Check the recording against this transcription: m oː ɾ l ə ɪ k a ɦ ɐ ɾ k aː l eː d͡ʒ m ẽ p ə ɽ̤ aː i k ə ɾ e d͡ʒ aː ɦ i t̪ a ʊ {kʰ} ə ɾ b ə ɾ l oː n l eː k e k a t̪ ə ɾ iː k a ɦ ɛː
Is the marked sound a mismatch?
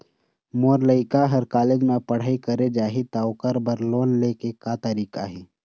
yes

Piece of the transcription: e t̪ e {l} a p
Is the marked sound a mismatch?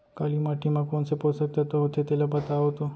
no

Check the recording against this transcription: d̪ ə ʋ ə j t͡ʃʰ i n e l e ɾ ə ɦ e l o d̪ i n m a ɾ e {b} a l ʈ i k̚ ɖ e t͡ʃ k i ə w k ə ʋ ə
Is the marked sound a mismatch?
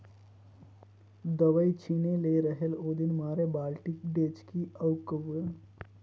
no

